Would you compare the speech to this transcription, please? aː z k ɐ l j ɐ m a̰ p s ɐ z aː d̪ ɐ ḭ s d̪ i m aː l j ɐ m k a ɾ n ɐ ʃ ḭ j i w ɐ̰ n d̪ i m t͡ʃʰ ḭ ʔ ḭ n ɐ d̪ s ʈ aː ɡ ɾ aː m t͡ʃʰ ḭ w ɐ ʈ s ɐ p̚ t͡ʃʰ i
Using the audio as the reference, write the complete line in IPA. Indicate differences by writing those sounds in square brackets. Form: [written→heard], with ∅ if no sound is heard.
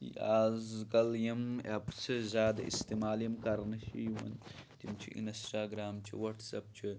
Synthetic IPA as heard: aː z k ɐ l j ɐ m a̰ p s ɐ z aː d̪ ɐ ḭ s [d̪→t̪] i m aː l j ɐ m k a ɾ n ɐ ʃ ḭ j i w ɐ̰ n [d̪→t̪] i m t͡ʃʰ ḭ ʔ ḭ n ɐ [d̪→∅] s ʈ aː ɡ ɾ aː m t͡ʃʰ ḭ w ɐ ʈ s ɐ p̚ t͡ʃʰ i